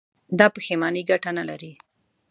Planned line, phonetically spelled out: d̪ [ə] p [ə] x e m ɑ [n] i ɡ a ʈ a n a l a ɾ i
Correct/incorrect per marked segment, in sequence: incorrect: ɑ, correct, correct

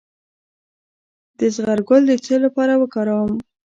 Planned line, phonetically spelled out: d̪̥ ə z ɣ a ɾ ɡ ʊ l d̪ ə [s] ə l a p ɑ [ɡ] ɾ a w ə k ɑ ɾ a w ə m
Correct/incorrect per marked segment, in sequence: incorrect: t͡s, incorrect: none

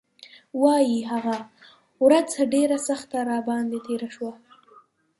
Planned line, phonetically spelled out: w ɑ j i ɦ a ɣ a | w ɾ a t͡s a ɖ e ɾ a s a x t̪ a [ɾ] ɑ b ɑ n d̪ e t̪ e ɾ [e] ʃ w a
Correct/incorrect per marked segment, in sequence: correct, incorrect: a

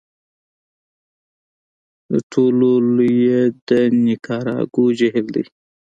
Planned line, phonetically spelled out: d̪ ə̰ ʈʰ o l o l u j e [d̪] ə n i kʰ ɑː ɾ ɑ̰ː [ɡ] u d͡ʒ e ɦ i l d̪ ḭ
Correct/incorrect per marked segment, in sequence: correct, correct

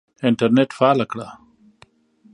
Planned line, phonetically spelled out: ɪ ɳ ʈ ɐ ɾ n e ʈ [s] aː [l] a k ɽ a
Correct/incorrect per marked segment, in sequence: incorrect: f, correct

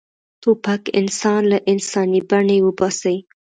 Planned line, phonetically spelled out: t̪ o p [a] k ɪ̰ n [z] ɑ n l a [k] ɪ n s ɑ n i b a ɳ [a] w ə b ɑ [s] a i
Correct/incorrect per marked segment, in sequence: correct, incorrect: s, incorrect: ʔ, incorrect: e, correct

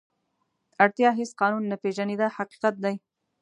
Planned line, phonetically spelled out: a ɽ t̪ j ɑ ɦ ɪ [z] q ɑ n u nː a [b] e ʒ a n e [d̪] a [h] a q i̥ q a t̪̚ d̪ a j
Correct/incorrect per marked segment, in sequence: incorrect: s, incorrect: p, correct, correct

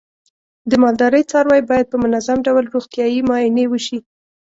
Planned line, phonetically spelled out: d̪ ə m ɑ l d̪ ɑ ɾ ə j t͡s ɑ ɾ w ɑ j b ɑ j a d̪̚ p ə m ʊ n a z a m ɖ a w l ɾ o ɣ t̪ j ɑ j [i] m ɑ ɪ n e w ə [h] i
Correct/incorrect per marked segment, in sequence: correct, incorrect: ʃ

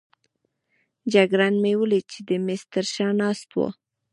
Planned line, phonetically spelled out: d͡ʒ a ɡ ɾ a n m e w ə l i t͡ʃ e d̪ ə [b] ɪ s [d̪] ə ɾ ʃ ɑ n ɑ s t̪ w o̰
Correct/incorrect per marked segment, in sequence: incorrect: m, incorrect: t̪

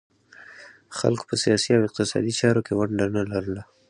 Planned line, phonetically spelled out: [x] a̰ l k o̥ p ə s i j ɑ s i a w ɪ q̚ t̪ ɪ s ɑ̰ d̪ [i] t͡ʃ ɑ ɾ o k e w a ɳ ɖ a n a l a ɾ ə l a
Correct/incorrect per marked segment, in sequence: correct, correct

